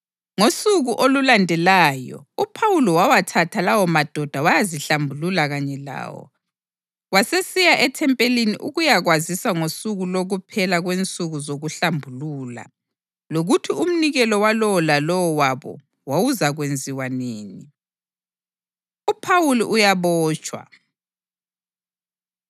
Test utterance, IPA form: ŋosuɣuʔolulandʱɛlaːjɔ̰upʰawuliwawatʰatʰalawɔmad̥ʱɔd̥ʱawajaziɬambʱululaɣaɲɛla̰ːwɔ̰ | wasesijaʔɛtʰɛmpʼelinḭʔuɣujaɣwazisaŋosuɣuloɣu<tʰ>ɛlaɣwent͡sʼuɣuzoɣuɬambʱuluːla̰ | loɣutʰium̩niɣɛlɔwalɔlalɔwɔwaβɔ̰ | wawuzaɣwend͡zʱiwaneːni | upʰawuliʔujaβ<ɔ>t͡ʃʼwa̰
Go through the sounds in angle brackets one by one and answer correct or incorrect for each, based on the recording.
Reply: incorrect, incorrect

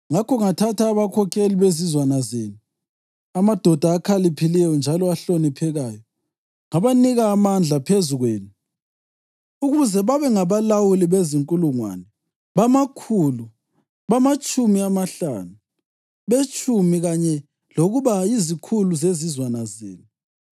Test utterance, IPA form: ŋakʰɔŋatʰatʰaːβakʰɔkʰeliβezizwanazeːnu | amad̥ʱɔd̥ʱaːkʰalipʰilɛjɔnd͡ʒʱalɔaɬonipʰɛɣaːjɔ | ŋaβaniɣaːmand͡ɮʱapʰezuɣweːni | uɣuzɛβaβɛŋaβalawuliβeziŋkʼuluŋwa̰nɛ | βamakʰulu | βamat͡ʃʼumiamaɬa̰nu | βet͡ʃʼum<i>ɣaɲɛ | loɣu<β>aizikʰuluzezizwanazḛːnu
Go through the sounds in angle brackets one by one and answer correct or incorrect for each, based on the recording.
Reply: correct, correct

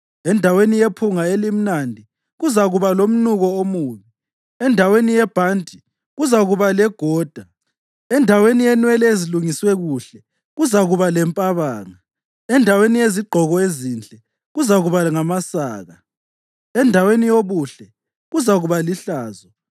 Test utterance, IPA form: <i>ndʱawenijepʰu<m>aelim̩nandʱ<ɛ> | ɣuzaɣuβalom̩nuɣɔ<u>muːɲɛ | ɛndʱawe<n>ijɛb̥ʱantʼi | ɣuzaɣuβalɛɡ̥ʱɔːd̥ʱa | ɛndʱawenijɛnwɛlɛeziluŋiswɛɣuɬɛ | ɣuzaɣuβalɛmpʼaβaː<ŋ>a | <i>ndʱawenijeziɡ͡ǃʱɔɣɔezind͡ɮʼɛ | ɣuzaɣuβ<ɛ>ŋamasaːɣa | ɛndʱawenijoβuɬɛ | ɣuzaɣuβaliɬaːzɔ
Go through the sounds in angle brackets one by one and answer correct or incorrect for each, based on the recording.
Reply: incorrect, incorrect, incorrect, incorrect, correct, correct, incorrect, incorrect

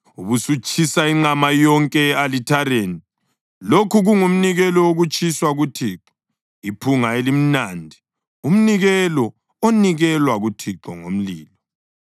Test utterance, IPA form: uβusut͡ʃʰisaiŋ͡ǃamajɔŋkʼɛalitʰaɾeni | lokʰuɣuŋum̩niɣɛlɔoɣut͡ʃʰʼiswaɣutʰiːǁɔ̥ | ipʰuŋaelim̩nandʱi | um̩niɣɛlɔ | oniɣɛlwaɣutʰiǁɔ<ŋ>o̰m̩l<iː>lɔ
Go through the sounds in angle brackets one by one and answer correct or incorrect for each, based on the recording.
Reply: correct, correct

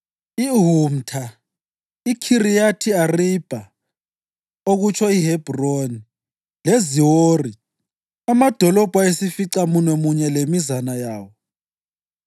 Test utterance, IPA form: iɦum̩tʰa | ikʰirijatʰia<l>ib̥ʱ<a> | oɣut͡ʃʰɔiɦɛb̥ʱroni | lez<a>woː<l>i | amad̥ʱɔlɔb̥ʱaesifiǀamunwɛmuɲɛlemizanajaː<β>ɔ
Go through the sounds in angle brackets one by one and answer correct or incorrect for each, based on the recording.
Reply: incorrect, correct, incorrect, incorrect, incorrect

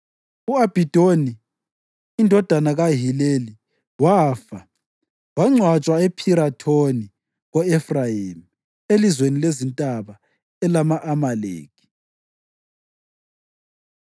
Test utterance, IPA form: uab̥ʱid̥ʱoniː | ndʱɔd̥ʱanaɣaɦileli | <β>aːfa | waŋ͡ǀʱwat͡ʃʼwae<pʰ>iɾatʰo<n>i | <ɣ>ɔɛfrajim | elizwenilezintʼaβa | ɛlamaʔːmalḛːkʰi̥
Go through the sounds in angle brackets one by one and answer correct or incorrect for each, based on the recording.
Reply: incorrect, correct, correct, correct

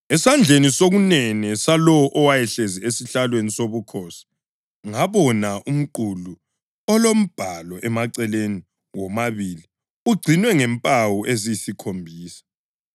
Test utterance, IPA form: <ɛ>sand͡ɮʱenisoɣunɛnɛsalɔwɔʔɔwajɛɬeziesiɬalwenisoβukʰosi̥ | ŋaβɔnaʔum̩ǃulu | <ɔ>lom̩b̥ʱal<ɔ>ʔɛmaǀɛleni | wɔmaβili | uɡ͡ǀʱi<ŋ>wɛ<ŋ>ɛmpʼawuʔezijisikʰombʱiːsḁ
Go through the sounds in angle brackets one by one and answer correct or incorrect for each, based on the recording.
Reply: correct, correct, correct, incorrect, correct

